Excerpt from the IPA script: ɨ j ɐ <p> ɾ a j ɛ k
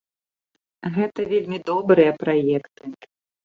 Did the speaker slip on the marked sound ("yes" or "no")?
no